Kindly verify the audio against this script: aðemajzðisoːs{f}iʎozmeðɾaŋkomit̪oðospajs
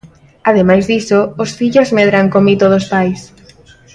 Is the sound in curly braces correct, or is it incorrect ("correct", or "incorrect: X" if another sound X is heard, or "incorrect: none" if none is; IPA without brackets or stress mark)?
correct